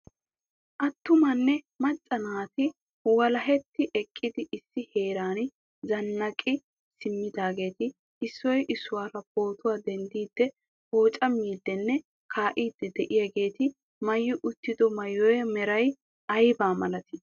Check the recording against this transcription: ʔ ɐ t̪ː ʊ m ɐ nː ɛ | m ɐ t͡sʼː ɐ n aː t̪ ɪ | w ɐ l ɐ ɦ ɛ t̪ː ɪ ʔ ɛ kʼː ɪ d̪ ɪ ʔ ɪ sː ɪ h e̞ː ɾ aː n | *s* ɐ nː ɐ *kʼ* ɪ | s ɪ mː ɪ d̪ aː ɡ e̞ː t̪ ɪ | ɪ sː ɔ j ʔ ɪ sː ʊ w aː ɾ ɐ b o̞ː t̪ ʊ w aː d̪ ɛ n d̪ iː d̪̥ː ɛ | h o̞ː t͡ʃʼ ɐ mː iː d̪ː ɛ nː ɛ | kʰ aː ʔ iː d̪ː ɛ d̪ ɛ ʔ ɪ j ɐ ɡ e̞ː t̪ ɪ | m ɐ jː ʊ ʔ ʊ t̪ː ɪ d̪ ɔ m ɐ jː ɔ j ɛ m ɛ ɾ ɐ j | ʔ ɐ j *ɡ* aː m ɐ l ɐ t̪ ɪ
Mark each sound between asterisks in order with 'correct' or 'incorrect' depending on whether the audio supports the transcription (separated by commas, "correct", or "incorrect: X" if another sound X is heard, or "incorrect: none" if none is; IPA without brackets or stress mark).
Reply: incorrect: z, correct, incorrect: b